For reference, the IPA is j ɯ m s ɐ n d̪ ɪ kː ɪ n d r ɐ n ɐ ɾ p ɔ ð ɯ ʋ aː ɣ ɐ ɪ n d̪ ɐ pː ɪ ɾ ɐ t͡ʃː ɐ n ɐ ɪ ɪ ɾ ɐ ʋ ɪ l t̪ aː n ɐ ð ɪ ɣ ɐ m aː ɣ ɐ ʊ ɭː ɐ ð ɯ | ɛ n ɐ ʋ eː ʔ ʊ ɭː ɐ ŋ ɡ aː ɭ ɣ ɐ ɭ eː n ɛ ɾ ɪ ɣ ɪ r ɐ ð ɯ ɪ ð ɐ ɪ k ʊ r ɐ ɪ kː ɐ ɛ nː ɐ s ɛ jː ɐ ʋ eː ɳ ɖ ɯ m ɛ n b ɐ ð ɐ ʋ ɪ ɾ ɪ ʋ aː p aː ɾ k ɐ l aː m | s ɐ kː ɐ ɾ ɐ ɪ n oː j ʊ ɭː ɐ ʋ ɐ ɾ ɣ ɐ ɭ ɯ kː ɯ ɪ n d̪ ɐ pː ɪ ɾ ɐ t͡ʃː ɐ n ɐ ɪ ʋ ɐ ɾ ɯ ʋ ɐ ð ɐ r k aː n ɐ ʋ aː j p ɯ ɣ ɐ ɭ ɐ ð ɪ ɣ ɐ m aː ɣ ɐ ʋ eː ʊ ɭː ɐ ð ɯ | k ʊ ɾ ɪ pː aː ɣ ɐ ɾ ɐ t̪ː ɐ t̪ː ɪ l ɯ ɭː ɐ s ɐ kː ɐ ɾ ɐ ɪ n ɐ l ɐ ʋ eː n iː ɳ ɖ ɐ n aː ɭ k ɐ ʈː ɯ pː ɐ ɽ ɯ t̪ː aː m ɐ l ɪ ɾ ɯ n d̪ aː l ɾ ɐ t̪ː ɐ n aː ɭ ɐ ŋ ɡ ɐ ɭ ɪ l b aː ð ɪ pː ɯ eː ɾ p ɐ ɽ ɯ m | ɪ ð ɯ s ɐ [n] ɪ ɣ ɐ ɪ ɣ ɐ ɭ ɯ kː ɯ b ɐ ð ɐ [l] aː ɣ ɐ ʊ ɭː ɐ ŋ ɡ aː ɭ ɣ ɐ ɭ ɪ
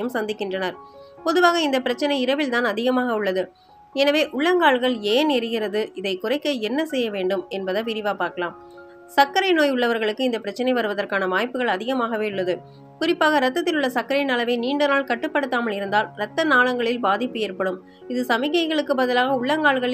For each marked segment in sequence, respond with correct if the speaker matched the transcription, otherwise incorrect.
incorrect, correct

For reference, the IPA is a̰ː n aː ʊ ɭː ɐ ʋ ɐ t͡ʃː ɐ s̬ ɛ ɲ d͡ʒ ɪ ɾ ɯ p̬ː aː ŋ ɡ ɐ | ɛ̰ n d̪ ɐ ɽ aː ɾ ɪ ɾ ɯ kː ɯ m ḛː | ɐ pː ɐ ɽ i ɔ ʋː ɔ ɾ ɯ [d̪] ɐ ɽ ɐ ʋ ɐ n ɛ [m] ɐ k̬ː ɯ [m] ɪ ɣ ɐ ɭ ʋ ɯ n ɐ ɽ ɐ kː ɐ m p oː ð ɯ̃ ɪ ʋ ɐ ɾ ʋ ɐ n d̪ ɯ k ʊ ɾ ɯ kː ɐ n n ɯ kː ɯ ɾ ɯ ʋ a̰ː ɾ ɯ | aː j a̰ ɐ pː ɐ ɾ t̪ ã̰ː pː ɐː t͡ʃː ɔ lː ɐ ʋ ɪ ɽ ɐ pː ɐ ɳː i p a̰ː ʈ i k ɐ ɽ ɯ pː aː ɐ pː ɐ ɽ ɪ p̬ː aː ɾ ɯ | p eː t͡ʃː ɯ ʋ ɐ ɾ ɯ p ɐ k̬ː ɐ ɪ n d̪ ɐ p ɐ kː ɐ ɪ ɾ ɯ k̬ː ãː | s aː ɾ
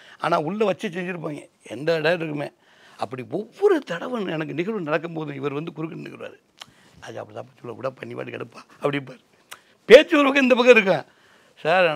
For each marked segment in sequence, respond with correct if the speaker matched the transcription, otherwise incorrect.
incorrect, incorrect, incorrect

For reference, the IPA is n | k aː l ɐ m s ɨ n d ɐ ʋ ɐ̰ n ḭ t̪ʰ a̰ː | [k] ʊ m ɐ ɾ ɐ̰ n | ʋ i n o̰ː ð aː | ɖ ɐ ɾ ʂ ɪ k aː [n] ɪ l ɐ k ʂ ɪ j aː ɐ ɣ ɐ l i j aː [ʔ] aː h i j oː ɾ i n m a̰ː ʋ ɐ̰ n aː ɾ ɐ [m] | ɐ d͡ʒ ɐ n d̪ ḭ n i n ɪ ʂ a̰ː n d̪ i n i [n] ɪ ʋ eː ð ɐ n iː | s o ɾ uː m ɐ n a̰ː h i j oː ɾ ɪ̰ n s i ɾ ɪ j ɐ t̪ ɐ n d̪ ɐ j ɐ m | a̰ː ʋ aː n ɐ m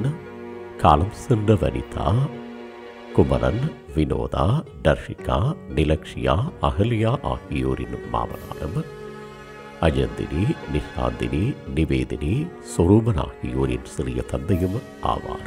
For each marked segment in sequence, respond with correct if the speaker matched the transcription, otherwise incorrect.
correct, correct, correct, correct, correct

